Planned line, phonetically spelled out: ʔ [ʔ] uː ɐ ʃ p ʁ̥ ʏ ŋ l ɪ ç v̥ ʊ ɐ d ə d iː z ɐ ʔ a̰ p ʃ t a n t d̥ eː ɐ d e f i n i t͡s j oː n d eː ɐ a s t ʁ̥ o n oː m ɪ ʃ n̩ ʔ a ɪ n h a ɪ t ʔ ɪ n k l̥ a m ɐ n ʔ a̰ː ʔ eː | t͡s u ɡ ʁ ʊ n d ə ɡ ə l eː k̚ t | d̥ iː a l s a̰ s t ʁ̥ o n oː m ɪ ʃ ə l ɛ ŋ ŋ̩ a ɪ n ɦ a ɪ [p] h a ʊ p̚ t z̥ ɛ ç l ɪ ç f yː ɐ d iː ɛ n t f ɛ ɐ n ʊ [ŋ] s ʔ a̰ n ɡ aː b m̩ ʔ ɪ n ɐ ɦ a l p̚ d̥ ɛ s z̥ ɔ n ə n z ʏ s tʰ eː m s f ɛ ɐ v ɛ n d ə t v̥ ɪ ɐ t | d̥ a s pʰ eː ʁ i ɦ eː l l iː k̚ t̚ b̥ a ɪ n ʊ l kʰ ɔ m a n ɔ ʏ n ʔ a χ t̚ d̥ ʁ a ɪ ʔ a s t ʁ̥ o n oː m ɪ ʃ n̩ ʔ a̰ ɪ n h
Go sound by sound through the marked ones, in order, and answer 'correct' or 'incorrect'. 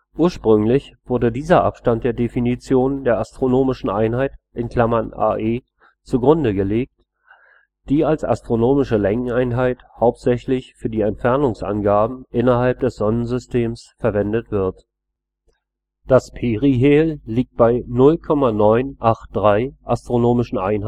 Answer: correct, incorrect, correct

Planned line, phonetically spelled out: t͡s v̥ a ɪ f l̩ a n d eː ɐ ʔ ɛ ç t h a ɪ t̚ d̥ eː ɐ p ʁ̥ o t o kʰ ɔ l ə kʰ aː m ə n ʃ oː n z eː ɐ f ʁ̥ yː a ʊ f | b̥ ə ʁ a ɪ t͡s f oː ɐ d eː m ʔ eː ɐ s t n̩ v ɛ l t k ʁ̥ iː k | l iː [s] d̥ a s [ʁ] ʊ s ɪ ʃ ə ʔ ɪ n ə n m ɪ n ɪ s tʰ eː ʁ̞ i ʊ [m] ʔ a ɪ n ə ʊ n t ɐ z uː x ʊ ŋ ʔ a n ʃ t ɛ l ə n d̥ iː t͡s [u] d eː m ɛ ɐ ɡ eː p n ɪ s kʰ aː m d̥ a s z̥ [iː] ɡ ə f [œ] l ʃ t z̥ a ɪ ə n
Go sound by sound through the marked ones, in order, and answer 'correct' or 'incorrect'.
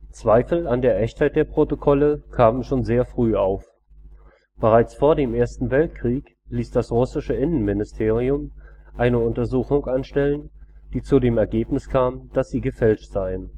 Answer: correct, correct, correct, correct, correct, incorrect

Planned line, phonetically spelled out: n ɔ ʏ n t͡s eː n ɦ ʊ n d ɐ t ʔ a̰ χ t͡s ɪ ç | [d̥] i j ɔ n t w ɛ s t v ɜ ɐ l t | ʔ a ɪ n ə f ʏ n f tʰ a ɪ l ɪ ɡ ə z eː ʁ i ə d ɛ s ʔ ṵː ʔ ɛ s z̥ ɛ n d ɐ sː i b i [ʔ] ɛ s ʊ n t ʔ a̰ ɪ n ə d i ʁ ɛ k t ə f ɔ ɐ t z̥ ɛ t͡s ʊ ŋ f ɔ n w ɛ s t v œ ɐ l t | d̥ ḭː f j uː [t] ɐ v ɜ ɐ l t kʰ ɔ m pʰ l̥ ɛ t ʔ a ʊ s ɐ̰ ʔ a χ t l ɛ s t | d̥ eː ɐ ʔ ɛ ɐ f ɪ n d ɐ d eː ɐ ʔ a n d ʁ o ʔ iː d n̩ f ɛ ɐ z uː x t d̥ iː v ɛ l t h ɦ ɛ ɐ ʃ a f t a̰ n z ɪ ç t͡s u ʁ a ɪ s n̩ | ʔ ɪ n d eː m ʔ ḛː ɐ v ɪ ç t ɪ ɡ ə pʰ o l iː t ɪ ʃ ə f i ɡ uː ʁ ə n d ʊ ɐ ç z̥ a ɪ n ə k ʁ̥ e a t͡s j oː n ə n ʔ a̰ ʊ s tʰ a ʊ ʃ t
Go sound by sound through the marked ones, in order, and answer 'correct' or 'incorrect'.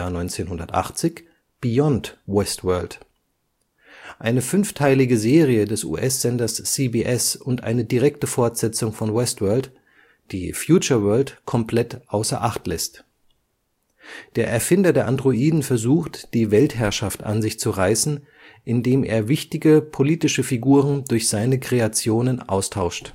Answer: incorrect, correct, incorrect

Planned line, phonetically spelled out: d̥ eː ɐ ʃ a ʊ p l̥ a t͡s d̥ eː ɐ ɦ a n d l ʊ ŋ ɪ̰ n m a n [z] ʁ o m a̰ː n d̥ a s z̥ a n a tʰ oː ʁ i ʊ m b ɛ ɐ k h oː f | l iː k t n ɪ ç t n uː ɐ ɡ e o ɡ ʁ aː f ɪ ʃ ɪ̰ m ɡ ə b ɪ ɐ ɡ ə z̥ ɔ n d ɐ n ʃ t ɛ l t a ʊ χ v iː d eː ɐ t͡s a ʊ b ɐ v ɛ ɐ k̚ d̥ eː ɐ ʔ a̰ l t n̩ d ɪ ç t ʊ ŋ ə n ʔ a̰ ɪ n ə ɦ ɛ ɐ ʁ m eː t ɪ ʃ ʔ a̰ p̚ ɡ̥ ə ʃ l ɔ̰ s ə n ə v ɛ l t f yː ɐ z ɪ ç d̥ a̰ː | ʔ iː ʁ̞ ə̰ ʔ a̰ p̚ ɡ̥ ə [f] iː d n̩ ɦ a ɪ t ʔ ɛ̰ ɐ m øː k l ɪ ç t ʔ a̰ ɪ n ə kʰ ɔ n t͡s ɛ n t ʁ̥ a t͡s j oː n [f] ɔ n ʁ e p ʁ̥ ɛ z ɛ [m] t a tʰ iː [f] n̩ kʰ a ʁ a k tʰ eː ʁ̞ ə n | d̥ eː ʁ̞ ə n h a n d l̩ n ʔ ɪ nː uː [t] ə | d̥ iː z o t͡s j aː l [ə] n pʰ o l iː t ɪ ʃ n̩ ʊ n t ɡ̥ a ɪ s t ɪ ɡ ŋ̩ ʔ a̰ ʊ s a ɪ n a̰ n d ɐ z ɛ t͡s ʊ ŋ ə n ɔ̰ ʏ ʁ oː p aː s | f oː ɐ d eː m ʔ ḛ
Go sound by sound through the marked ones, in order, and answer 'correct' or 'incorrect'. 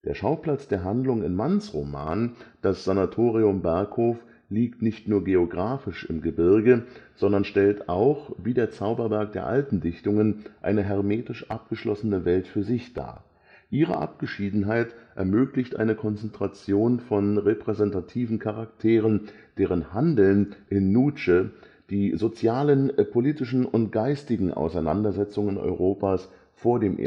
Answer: incorrect, incorrect, correct, incorrect, incorrect, incorrect, correct

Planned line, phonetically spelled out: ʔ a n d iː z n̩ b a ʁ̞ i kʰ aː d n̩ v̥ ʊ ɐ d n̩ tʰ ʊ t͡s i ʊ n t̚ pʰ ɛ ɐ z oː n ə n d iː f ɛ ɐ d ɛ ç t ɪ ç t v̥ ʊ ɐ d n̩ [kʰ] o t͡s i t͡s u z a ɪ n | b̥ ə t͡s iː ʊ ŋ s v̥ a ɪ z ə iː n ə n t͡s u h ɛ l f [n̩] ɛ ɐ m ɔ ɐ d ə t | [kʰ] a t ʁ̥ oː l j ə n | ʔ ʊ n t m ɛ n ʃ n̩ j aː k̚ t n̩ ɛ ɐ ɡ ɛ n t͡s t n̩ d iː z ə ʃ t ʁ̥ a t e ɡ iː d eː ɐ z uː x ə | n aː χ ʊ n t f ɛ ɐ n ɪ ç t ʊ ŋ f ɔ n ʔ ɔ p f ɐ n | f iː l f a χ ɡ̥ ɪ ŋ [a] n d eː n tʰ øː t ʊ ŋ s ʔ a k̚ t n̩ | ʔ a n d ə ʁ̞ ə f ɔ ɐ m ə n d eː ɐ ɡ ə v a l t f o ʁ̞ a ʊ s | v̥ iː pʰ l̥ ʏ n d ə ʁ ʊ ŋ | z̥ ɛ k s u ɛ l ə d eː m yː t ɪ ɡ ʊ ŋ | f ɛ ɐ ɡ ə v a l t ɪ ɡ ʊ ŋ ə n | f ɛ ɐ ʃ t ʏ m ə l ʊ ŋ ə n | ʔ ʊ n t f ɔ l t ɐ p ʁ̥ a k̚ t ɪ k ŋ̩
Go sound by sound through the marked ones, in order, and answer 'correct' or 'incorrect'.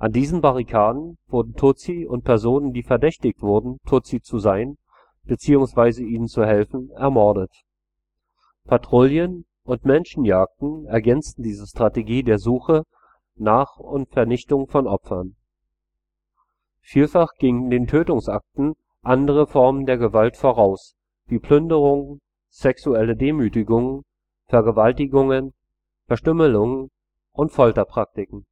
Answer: incorrect, correct, incorrect, incorrect

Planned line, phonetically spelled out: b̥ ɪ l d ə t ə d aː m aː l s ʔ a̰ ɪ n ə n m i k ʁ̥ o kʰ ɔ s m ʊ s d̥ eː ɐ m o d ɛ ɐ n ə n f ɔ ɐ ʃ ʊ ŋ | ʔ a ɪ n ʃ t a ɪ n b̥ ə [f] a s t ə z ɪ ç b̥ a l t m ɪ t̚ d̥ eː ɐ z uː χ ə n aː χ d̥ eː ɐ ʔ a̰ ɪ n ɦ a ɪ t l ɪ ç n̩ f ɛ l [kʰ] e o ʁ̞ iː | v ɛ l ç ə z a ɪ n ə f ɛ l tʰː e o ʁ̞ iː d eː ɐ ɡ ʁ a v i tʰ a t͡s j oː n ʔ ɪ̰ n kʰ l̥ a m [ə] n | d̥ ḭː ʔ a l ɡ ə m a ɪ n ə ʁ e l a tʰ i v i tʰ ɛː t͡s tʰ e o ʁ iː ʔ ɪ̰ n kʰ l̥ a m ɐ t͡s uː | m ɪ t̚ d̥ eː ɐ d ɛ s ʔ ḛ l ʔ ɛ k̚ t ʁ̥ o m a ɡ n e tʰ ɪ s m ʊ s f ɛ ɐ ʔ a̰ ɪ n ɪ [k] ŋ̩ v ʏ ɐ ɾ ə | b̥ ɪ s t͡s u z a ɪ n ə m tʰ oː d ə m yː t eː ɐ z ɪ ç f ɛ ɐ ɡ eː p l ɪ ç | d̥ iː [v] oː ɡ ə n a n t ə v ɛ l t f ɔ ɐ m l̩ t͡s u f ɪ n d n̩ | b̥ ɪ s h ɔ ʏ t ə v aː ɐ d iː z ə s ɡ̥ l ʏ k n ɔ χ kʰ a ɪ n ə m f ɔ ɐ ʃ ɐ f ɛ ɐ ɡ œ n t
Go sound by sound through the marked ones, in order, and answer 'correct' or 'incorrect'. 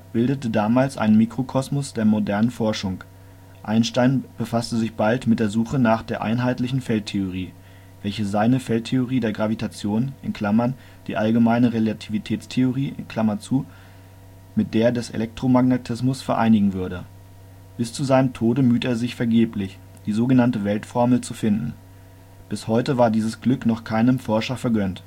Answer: correct, incorrect, incorrect, incorrect, incorrect

